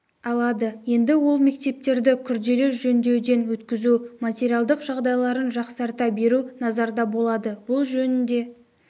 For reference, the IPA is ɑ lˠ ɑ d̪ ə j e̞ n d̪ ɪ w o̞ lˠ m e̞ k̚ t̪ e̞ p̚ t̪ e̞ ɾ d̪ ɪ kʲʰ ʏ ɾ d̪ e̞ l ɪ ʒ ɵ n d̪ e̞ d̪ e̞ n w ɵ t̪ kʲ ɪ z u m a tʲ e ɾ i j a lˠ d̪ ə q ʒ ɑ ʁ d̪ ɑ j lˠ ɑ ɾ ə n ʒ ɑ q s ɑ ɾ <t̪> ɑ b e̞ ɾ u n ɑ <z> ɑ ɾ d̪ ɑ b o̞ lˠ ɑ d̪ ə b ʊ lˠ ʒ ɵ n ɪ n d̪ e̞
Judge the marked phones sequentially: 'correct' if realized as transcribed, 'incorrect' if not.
correct, correct

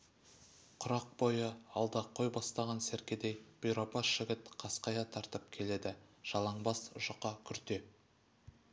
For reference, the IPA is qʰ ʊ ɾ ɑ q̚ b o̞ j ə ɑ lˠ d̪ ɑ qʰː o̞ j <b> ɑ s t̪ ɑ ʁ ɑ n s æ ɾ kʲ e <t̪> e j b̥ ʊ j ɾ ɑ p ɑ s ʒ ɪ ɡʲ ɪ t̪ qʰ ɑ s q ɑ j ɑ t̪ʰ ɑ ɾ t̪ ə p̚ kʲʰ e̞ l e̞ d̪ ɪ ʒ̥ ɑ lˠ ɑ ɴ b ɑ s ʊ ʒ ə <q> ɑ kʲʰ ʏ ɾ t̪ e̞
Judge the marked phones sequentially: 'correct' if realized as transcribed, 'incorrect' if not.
correct, incorrect, correct

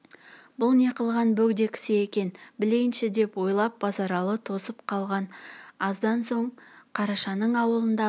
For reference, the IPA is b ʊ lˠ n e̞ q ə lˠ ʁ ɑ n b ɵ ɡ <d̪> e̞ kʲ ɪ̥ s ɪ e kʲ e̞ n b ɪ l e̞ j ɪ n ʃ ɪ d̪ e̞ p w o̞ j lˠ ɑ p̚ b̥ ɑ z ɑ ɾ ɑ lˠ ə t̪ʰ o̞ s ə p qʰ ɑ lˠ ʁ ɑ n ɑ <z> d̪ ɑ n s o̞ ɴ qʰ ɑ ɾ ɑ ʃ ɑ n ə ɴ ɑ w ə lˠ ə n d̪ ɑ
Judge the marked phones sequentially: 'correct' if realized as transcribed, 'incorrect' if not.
correct, correct

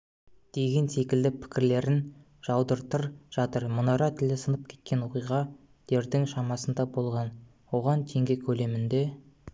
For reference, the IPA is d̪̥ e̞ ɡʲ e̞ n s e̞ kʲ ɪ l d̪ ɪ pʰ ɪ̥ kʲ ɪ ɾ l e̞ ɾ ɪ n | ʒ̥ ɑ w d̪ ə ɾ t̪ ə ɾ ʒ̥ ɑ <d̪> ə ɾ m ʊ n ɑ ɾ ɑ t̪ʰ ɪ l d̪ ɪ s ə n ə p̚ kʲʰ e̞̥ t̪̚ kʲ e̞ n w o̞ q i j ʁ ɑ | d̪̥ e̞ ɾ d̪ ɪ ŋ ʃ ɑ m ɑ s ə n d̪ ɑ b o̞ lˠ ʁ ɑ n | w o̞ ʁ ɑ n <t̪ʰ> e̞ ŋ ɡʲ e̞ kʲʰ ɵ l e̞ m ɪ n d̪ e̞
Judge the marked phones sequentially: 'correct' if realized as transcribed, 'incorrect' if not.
incorrect, correct

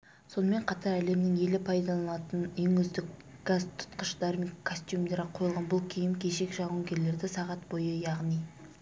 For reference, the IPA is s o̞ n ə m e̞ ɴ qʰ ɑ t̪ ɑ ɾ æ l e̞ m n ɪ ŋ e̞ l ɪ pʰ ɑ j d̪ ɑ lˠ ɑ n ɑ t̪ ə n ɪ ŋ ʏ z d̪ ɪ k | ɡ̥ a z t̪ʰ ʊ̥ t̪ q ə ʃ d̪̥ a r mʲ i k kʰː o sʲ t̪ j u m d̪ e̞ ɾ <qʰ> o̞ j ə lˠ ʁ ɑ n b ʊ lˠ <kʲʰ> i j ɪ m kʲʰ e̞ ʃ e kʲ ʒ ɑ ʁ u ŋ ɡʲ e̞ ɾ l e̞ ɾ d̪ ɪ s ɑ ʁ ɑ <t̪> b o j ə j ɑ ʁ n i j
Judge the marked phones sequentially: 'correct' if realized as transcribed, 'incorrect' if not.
correct, correct, correct

